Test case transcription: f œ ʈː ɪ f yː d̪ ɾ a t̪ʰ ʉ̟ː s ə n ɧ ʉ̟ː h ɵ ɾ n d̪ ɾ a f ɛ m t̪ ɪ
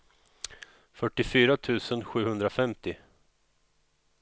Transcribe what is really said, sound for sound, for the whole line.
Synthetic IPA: f œ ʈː ɪ f yː ɾ a t̪ʰ ʉ̟ː s ə n ɧ ʉ̟ː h ɵ n d̪ ɾ a f ɛ m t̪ ɪ